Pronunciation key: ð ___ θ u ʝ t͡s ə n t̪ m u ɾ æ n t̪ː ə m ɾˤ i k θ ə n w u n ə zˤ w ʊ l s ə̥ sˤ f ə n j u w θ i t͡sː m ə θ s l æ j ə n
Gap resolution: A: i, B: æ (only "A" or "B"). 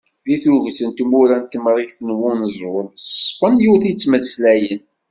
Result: A